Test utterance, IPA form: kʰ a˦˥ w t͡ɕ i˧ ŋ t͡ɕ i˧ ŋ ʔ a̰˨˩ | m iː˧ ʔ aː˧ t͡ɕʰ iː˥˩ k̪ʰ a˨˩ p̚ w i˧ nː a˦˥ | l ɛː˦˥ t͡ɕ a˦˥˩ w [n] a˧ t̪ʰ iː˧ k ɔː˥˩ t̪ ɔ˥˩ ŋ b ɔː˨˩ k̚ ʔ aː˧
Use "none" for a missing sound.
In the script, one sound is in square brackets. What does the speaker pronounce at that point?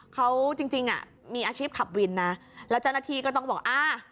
n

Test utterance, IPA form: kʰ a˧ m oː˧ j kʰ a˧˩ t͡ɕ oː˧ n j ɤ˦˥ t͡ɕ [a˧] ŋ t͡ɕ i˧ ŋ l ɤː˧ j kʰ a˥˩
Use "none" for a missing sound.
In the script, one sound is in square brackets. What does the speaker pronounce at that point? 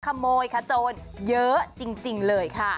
i˧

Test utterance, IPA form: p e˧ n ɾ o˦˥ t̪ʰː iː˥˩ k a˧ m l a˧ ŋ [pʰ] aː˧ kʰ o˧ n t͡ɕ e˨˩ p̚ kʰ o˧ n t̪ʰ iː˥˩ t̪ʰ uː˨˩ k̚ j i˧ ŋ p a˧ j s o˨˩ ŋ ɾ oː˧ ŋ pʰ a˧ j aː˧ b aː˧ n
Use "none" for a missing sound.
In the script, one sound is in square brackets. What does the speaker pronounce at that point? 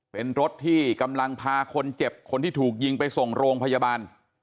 pʰ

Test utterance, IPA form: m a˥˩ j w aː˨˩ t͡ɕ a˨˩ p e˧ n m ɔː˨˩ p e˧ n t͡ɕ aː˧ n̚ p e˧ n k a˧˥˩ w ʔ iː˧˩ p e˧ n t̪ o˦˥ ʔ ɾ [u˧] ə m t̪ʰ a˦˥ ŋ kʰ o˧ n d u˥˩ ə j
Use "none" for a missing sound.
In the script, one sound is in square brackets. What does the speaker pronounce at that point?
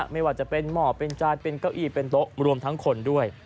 u˧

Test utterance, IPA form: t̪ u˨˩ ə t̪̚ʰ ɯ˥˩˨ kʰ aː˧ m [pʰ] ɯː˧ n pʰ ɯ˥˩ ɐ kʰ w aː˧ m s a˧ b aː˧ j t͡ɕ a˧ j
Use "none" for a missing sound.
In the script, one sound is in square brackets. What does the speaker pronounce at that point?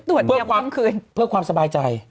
kʰ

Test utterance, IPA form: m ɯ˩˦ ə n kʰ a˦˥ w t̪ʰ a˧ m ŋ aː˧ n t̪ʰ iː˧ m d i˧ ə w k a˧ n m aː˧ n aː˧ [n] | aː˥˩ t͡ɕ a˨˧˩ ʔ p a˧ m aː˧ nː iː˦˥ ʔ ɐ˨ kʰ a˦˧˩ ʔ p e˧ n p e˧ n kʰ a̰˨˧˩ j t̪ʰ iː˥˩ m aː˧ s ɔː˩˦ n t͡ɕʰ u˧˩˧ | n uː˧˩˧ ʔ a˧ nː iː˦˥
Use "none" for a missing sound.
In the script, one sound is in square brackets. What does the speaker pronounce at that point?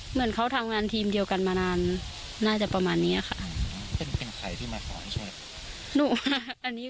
nː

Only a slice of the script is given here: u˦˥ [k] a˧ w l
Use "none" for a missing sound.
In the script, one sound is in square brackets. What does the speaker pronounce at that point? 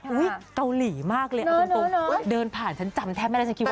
k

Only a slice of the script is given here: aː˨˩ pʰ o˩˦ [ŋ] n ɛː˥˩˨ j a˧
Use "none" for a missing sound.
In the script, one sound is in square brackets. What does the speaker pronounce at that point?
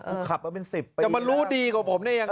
m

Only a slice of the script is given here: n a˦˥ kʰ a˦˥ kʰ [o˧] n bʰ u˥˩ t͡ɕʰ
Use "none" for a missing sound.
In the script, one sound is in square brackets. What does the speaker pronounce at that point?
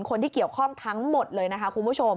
u˧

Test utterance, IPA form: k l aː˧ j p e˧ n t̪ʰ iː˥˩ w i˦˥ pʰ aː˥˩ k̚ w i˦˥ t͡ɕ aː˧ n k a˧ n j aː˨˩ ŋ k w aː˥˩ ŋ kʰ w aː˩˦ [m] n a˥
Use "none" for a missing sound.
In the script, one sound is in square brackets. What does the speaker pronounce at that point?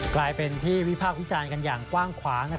ŋ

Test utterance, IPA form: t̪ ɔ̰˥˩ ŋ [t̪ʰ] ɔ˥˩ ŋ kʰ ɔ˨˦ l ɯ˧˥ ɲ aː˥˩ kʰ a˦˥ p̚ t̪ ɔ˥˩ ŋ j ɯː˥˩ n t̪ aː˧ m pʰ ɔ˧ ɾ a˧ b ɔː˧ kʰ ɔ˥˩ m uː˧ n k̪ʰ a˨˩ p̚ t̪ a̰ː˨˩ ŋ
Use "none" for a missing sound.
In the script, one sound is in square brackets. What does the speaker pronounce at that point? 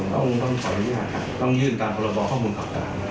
t̪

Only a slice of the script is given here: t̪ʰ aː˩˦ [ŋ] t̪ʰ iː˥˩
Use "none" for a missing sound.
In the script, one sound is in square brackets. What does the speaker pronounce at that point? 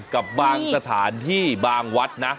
n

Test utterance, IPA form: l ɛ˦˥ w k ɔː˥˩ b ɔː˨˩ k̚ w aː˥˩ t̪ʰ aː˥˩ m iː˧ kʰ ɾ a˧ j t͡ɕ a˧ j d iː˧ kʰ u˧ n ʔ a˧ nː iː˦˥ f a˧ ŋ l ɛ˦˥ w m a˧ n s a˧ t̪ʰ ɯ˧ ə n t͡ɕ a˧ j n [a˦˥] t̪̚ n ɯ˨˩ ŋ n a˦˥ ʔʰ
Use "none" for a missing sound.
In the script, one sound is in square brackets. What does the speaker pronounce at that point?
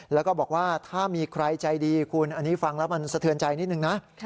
i˦˥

